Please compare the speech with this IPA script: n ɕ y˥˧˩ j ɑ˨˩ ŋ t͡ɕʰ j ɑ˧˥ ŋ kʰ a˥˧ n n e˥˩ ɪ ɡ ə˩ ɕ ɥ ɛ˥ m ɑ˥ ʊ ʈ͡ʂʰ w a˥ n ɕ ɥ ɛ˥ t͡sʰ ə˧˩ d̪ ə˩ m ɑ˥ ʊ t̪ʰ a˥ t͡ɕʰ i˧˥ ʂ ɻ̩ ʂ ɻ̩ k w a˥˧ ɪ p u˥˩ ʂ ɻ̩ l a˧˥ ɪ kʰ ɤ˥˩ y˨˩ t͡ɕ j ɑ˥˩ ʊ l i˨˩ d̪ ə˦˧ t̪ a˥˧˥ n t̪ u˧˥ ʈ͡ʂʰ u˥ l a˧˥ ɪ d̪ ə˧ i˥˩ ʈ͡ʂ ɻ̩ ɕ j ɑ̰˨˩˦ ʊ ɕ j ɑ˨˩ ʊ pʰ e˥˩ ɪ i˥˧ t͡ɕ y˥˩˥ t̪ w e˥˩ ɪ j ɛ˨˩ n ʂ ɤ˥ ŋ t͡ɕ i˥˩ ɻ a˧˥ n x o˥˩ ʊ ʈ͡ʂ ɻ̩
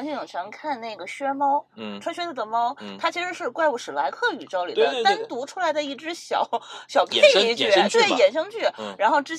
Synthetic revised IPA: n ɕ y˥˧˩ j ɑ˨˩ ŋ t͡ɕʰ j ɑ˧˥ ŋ kʰ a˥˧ n n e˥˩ ɪ ɡ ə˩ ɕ ɥ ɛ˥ m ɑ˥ ʊ ʈ͡ʂʰ w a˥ n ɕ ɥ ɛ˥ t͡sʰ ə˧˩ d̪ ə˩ m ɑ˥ ʊ t̪ʰ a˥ t͡ɕʰ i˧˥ ʂ ɻ̩ ʂ ɻ̩ k w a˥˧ ɪ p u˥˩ ʂ ɻ̩ l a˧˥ ɪ kʰ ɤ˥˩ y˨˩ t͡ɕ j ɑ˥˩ ʊ l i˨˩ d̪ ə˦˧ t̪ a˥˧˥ n t̪ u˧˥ ʈ͡ʂʰ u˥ l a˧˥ ɪ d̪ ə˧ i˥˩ ʈ͡ʂ ɻ̩ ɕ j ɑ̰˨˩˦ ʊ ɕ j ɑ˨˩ ʊ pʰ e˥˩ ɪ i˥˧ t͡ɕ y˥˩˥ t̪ w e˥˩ ɪ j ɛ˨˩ n ʂ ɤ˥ ŋ t͡ɕ y˥˩ ɻ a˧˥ n x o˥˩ ʊ ʈ͡ʂ ɻ̩